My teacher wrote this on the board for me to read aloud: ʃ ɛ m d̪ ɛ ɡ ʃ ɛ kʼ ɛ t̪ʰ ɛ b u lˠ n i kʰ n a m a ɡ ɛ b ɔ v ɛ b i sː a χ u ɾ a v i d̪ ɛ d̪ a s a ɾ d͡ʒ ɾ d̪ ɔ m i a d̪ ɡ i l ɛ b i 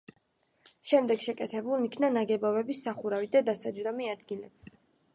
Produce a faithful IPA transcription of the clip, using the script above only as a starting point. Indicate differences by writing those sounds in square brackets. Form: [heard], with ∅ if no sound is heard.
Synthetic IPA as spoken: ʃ ɛ m d̪ ɛ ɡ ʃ ɛ kʼ ɛ t̪ʰ ɛ b u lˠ n i kʰ n a [n] a ɡ ɛ b ɔ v ɛ b i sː a χ u ɾ a v i d̪ [a] d̪ a s a [∅] d͡ʒ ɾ d̪ ɔ m i a d̪ ɡ i l ɛ b i